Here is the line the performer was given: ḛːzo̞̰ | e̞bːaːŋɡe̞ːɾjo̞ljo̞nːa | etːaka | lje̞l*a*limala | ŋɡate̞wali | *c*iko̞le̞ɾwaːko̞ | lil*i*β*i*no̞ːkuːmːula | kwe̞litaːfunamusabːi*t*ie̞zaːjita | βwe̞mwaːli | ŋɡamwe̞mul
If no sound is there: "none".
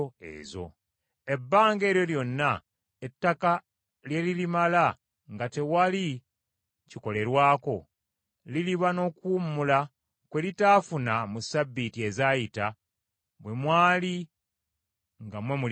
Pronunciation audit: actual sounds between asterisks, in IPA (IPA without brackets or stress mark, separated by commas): i, c, i, a, t